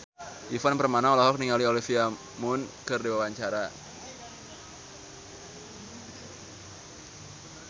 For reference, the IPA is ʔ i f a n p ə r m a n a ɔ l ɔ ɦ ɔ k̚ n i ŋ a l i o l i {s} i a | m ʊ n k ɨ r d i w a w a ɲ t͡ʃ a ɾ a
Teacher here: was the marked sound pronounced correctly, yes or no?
no